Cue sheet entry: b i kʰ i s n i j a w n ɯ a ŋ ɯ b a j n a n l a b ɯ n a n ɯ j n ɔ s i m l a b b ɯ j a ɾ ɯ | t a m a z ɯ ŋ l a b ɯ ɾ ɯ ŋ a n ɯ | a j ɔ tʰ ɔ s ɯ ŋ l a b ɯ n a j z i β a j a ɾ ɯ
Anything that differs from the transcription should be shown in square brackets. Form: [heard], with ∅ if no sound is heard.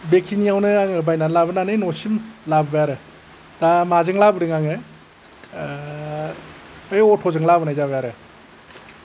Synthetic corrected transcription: b [e] kʰ i [∅] n i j a w n ɯ a ŋ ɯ b a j n a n l a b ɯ n a n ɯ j n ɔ s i m l a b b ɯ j a ɾ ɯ | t a m a z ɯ ŋ l a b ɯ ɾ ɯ ŋ a [ŋ] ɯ | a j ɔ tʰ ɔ [z] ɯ ŋ l a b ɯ n a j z [a] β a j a ɾ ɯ